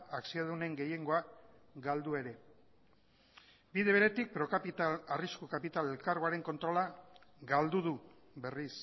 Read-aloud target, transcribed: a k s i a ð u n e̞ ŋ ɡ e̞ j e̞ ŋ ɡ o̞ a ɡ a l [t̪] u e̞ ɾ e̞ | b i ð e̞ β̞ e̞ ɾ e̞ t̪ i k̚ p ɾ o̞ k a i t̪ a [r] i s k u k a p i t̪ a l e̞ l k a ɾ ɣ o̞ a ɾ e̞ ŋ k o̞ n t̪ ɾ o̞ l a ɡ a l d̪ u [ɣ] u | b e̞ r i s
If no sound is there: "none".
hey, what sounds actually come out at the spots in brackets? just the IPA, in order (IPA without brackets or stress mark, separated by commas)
d̪, r, ð